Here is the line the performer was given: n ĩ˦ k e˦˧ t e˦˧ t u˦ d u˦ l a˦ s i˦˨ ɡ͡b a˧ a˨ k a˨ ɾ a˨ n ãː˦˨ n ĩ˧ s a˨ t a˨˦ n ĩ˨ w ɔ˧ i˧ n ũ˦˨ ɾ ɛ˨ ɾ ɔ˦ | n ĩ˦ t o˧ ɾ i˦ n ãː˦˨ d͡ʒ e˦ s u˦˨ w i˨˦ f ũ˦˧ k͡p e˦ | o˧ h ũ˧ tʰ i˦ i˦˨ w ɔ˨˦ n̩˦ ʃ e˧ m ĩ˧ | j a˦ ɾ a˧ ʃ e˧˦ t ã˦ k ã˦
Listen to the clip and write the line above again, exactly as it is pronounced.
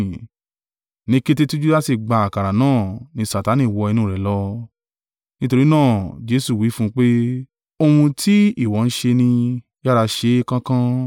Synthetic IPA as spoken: n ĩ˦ k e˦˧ t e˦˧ t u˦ d͡ʒ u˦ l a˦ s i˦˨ ɡ͡b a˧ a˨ k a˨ ɾ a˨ n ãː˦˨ n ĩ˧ s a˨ t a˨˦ n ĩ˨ w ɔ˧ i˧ n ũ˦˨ ɾ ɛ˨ l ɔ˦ | n ĩ˦ t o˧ ɾ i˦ n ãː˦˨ d͡ʒ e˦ s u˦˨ w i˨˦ f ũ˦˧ k͡p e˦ | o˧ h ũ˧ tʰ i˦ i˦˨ w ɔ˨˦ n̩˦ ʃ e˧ n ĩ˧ | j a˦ ɾ a˧ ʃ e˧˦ k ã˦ k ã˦

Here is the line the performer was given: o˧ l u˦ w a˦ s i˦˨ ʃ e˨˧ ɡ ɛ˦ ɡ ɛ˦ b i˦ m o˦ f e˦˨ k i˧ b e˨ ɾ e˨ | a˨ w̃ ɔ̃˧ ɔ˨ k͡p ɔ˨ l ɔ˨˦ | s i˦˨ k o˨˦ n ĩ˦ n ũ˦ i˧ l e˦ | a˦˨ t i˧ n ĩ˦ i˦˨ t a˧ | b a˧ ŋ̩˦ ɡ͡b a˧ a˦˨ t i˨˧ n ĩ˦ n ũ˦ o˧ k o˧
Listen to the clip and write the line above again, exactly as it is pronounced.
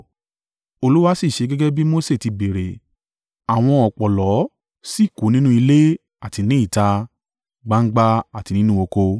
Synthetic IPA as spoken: o˧ l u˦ w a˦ s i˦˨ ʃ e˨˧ ɡ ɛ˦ ɡ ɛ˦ b i˦ m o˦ s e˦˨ t i˧ b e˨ ɾ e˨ | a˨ w̃ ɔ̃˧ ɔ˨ k͡p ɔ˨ l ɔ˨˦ | s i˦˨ k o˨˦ n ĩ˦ n ũ˦ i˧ l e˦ | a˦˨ t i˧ n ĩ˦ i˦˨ t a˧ | ɡ͡b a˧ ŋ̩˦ ɡ͡b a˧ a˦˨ t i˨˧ n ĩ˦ n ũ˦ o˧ k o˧

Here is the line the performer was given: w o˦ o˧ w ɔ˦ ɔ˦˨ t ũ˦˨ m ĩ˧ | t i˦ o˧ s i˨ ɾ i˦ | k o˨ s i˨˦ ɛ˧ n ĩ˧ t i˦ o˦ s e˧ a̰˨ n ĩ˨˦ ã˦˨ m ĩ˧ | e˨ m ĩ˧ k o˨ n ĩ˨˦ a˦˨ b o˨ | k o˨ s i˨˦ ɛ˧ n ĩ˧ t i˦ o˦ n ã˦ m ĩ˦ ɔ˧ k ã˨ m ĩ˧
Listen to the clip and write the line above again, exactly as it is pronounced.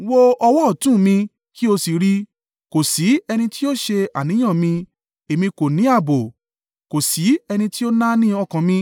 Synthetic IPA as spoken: w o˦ ɔ˧ w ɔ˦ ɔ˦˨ t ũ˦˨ m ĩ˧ | k i˦ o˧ s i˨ ɾ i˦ | k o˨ s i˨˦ ɛ˧ n ĩ˧ t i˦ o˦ ʃ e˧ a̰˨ n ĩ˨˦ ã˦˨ m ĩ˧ | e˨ m ĩ˧ k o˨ n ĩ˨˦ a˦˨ b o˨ | k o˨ s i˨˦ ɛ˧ n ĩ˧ t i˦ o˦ n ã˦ n ĩ˦ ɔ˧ k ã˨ m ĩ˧

